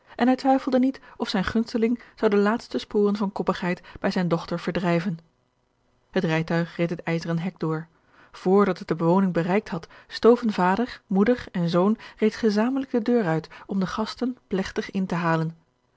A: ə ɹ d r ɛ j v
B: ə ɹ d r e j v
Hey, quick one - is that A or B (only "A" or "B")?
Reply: A